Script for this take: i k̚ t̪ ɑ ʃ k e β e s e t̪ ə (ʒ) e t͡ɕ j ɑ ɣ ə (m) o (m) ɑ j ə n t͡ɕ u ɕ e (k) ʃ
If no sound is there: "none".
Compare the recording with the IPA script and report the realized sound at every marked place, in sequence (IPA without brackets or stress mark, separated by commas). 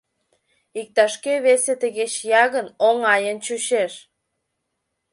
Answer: ɣ, n, ŋ, none